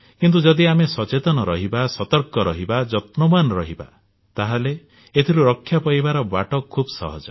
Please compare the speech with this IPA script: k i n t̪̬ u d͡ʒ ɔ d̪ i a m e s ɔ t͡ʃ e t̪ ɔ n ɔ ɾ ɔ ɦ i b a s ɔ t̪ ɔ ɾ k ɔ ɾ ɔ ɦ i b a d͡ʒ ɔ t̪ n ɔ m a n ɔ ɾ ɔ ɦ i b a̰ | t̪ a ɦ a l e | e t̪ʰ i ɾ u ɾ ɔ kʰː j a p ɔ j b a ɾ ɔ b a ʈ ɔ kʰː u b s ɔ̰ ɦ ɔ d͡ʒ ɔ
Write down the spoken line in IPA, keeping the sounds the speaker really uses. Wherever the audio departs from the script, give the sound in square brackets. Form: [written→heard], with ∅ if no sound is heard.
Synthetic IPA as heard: k i n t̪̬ u d͡ʒ ɔ d̪ i a m e s ɔ t͡ʃ e t̪ ɔ n ɔ ɾ ɔ ɦ i b a s ɔ t̪ ɔ ɾ k ɔ ɾ ɔ ɦ i b a d͡ʒ ɔ t̪ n ɔ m a n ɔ ɾ ɔ ɦ i b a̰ | t̪ a ɦ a l e | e t̪ʰ i ɾ u ɾ ɔ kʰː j a p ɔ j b a ɾ ɔ b a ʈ ɔ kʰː u b s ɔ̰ ɦ ɔ d͡ʒ ɔ